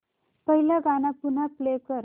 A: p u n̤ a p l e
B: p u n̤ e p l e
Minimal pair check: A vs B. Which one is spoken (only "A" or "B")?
A